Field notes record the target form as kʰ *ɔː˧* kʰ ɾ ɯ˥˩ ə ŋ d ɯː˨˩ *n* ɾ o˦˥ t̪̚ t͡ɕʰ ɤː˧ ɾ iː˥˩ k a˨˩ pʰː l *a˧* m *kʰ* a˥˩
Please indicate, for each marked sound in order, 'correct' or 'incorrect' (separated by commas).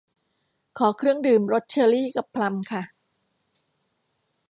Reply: incorrect, incorrect, correct, correct